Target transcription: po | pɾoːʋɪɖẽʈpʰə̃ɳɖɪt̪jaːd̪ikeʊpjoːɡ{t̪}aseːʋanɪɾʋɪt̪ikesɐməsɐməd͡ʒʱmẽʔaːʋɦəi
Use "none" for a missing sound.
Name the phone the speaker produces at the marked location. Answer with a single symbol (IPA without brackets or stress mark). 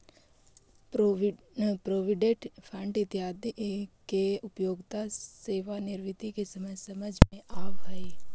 t̪